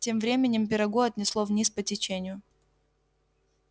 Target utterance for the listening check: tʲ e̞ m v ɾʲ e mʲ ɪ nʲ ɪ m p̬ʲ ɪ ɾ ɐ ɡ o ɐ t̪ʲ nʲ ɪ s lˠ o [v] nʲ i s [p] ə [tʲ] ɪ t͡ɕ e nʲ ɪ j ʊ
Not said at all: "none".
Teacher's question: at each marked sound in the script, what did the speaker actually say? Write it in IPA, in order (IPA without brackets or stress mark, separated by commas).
v, p, tʲ